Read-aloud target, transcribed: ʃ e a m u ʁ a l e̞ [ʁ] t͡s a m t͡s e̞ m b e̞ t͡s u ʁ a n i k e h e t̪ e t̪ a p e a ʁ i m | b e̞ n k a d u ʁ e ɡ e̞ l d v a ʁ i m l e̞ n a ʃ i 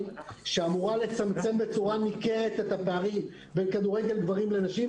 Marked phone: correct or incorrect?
incorrect